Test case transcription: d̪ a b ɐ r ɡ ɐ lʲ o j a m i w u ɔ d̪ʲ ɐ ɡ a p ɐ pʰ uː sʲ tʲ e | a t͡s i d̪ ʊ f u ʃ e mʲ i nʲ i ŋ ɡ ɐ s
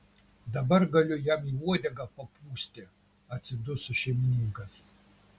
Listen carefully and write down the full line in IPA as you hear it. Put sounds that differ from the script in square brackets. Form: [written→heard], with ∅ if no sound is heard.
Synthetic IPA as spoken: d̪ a b ɐ r ɡ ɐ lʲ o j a m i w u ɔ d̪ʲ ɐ ɡ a p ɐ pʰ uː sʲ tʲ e | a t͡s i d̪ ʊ [f→s] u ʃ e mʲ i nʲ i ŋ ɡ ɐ s